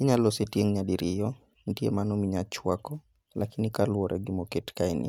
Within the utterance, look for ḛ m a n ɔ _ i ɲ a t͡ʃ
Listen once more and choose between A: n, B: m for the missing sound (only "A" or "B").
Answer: B